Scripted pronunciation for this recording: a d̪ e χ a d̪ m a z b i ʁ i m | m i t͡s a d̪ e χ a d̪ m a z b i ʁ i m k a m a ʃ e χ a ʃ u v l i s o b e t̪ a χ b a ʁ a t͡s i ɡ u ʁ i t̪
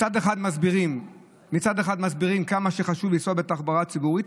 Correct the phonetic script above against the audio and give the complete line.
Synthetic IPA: a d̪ e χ a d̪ m a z b i ʁ i m | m i t͡s a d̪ e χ a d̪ m a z b i ʁ i m k a m a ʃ e χ a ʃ u v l i s o b e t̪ a χ b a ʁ a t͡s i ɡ u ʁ i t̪

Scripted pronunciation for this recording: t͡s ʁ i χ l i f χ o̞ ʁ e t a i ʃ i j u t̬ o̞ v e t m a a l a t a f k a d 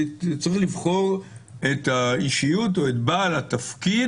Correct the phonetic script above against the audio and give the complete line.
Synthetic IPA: t͡s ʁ i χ l i v χ o̞ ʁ e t a i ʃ i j u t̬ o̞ e t b a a l a t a f k i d

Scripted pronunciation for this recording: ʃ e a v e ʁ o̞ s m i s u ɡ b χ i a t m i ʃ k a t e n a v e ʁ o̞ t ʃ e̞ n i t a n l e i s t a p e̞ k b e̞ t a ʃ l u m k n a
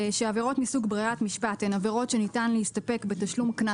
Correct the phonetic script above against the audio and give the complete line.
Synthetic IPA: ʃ e a v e ʁ o̞ t m i s u ɡ b ʁ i a t m i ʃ p a t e n a v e ʁ o̞ t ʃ e̞ n i t a n l e i s t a p e̞ k b e̞ t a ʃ l u m k n a

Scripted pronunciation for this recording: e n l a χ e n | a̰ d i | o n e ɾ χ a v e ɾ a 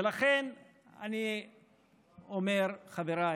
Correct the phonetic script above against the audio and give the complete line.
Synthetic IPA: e l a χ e n | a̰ n i | o m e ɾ χ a v e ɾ a

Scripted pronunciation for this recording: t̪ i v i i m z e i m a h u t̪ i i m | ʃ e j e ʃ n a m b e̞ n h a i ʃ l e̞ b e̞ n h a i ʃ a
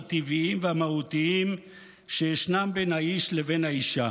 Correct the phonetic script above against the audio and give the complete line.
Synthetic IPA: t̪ i v i i m v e a m a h u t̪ i i m | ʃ e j e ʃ n a m b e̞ n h a i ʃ l e̞ v e̞ n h a i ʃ a

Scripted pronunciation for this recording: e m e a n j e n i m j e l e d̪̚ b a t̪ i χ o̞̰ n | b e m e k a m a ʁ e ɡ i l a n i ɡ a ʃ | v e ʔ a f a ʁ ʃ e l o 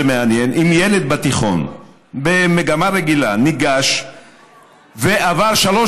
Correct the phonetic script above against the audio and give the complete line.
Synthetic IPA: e m e a n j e n i m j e l e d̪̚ b a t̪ i χ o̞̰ n | b e m e ɡ a m a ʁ e ɡ i l a n i ɡ a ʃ | v e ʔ a v a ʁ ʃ a l o

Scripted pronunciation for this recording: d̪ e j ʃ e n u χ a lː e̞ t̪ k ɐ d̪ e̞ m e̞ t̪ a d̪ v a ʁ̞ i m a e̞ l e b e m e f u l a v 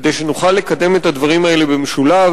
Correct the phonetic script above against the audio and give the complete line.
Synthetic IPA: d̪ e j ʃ e n u χ a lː e̞ k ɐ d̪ e̞ m e̞ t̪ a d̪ v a ʁ̞ i m a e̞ l e b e m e ʃ u l a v

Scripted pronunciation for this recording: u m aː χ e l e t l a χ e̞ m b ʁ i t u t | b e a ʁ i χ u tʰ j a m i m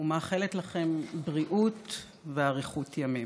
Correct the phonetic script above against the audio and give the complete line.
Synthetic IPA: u m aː χ e l e t l a χ e̞ m b ʁ i ʔ u t | v e a ʁ i χ u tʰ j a m i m

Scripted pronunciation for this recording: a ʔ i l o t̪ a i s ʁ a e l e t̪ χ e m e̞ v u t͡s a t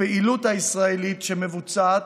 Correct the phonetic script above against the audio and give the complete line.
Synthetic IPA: e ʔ i l u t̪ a i s ʁ a e l i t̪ ʃ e m e̞ v u t͡s a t

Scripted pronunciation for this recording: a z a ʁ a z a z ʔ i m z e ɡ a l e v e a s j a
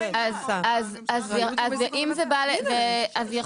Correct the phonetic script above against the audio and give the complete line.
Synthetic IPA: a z a z a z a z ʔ i m z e b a l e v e a z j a

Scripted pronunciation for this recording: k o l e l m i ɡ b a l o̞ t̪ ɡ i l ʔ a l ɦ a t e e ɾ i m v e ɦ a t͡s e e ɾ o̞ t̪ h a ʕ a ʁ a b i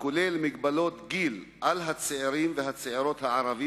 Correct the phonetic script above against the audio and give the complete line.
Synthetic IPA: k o l e l m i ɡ b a l o̞ t̪ ɡ i l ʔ a l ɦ a t͡s e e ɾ i m v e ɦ a t͡s e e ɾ o̞ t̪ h a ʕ a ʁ a v i

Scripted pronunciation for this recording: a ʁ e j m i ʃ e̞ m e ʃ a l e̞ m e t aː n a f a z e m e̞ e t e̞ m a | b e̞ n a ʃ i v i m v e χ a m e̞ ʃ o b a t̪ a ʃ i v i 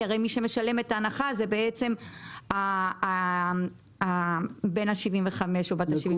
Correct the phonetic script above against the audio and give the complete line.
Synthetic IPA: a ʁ e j m i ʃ e̞ m e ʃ a l e̞ m e t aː n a χ a z e b e̞ e t͡s e̞ m a | b e̞ n a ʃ i v i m v e χ a m e̞ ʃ o b a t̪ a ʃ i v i

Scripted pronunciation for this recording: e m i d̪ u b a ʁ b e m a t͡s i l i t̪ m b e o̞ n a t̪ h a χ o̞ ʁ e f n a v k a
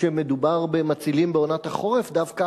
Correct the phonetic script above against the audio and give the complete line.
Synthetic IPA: e m e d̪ u b a ʁ b e m a t͡s i l i m b e o̞ n a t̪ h a χ o̞ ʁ e f d a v k a

